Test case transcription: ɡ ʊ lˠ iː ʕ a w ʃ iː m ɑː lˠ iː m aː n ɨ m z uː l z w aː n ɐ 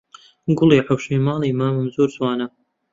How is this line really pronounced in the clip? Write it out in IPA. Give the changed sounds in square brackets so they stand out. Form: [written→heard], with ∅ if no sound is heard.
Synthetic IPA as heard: ɡ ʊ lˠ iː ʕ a w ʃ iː m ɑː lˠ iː m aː [n→m] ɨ m z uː [l→ɾ] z w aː n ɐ